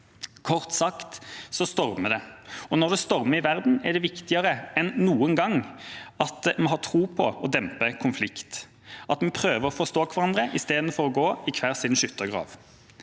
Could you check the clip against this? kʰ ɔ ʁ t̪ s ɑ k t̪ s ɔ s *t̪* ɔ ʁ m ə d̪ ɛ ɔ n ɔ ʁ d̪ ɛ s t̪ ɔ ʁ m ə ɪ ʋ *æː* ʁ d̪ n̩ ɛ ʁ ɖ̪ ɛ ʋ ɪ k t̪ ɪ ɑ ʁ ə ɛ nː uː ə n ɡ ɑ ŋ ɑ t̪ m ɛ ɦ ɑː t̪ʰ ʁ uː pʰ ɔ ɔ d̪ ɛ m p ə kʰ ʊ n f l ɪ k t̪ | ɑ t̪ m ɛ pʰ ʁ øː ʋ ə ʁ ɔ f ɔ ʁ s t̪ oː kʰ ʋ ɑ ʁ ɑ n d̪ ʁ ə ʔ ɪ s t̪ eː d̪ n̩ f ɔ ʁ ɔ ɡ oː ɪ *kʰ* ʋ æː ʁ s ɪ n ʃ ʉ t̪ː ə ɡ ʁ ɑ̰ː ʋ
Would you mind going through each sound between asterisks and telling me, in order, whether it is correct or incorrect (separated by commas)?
correct, incorrect, correct